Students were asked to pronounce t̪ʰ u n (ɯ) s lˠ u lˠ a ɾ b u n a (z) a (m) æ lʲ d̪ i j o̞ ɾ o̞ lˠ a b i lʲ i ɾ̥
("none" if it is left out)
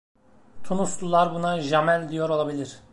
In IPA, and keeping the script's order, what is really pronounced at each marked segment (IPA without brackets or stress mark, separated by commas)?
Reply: u, ʒ, m